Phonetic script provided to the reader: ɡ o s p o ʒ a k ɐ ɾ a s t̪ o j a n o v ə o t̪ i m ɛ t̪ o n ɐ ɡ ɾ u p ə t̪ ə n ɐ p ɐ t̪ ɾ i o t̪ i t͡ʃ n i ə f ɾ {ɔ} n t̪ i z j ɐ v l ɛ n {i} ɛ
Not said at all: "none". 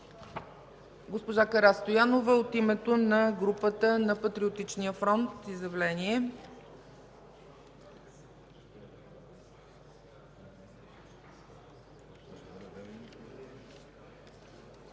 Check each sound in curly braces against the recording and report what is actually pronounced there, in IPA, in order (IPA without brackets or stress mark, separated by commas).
ɔ, i